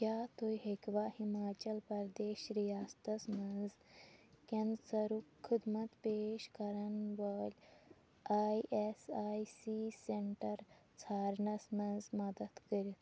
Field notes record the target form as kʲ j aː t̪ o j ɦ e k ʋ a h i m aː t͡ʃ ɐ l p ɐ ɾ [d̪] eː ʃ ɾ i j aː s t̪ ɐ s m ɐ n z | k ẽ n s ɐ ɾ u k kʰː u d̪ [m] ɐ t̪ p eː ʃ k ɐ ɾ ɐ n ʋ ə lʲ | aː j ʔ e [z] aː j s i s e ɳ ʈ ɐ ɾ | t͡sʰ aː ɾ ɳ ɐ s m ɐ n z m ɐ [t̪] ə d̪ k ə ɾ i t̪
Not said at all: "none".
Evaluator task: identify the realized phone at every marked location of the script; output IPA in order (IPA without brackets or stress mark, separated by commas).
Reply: d̪, m, s, d̪